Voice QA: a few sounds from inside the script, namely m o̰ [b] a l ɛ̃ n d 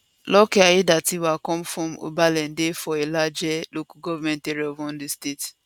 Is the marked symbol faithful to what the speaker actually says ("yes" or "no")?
yes